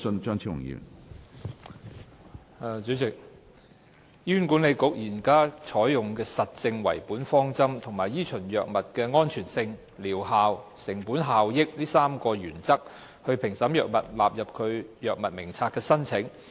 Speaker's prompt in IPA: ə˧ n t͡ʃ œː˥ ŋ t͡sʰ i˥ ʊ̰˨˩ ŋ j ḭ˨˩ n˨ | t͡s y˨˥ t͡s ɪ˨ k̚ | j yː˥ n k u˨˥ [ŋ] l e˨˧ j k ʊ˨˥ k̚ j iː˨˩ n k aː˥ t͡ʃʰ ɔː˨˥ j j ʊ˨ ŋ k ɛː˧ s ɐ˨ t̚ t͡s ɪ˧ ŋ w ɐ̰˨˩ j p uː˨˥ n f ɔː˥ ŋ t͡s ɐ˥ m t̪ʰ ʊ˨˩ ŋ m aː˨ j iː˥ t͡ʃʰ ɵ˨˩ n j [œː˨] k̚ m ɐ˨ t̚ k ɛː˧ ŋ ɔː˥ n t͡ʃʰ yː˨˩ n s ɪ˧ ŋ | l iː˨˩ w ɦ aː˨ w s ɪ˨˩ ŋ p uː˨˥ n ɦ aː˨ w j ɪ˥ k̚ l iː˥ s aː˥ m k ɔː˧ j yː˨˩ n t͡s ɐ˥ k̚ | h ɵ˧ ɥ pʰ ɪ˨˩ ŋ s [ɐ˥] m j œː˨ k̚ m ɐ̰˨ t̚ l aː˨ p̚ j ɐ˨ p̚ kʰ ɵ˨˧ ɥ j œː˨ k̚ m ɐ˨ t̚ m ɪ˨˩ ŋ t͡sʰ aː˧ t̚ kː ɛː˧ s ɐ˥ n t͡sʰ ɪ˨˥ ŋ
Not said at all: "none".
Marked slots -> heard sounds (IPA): n, œː˨, ɐ˨˥

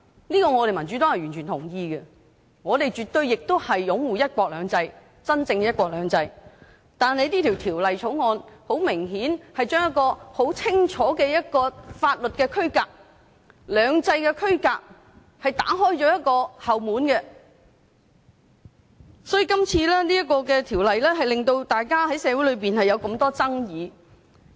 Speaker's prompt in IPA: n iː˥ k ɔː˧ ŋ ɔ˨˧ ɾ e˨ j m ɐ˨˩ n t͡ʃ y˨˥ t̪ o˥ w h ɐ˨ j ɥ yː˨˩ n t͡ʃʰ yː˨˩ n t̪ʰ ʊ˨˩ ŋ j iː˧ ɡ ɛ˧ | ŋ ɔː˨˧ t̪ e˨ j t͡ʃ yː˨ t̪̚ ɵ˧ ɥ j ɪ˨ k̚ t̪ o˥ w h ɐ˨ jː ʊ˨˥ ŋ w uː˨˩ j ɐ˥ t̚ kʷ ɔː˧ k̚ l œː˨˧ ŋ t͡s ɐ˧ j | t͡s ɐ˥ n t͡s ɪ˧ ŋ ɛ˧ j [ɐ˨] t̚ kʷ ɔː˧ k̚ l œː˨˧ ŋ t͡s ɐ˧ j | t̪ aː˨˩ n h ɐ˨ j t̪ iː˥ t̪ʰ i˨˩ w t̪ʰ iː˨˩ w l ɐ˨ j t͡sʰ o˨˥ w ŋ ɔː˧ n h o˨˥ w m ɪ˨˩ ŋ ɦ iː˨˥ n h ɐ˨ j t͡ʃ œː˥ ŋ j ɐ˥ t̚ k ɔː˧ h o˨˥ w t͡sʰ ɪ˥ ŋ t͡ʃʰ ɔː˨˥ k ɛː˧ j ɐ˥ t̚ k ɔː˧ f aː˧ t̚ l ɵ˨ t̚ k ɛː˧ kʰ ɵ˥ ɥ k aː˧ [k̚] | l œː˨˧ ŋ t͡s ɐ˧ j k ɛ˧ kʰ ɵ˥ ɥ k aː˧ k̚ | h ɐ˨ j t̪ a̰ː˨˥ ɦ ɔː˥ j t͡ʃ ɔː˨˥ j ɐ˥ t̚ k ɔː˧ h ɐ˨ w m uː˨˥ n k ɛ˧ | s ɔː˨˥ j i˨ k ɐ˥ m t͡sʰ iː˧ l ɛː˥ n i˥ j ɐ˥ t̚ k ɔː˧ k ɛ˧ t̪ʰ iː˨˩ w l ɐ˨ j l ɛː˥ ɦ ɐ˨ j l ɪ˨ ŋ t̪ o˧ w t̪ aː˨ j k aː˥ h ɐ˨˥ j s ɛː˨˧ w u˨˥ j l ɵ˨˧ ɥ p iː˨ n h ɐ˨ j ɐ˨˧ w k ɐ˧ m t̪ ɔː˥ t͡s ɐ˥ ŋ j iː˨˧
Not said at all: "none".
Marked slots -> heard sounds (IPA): ɐ˥, k̚

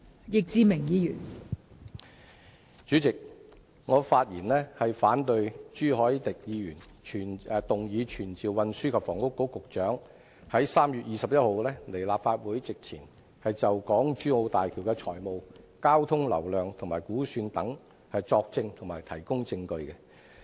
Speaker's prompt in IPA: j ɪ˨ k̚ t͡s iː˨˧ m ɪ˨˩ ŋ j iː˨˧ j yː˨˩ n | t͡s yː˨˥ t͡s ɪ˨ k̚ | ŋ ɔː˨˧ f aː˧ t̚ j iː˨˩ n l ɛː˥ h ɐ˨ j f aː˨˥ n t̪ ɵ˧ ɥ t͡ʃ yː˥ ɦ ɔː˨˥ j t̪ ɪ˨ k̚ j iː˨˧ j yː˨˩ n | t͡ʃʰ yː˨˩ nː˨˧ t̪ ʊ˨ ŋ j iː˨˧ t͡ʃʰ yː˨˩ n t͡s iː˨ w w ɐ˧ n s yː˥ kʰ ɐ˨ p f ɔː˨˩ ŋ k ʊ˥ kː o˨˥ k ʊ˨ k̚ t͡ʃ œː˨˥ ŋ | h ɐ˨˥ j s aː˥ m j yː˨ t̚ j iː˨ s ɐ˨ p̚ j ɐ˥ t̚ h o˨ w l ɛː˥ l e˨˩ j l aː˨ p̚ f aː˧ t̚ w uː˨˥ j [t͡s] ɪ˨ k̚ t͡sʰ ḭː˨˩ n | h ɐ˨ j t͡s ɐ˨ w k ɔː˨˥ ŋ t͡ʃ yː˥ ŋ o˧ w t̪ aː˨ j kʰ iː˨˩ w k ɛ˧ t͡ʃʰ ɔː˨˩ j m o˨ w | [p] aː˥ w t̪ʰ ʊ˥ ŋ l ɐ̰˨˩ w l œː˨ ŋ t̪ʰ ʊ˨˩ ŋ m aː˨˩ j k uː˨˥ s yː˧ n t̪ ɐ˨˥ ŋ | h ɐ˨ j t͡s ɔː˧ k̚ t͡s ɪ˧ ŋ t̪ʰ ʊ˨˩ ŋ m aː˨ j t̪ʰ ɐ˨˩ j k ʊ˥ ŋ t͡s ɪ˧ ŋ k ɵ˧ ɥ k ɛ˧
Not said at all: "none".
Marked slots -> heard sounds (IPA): t͡s, k

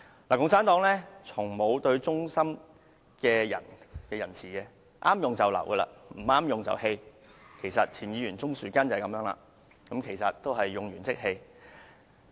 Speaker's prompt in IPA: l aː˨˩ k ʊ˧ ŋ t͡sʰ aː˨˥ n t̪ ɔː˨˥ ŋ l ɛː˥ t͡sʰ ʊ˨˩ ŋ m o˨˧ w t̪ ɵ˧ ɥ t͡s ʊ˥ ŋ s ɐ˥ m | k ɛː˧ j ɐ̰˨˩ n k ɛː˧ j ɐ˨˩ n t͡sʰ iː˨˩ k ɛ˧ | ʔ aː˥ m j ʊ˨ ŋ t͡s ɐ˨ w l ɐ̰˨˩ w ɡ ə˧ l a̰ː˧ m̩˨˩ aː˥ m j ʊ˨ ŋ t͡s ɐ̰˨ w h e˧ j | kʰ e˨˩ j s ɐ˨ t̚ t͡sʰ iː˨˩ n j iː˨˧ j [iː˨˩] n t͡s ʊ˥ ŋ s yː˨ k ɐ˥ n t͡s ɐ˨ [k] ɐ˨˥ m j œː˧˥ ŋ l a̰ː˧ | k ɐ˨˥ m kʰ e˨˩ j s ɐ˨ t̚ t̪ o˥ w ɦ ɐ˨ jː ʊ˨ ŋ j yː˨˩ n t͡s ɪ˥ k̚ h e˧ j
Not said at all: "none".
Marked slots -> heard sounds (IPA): yː˨˩, k

